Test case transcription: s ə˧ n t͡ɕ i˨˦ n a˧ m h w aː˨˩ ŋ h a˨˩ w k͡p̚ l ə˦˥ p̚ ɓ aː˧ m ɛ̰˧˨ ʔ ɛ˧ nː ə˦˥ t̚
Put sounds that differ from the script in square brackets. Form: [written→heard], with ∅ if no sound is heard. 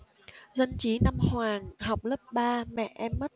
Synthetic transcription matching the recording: [s→z] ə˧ n t͡ɕ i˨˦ n a˧ m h w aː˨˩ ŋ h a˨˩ w k͡p̚ l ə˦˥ p̚ ɓ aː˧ m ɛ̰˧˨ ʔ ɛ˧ [nː→mː] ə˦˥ t̚